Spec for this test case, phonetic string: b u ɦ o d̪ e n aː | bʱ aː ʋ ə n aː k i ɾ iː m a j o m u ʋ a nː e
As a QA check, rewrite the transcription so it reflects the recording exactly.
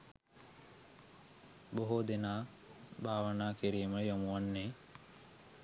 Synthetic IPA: b o ɦ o d̪ e n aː | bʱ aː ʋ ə n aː k i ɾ iː m ə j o m u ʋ a nː e

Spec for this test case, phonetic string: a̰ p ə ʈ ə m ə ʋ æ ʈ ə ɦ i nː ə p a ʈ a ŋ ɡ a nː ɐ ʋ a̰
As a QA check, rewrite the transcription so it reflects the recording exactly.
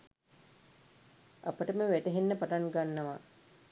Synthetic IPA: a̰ p ə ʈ ə m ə ʋ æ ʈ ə ɦ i nː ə p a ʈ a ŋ ɡ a nː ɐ ʋ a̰

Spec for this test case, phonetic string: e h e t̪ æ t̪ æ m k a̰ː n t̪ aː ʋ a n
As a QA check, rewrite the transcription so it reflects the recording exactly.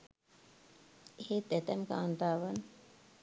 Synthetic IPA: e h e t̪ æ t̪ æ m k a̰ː n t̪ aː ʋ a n

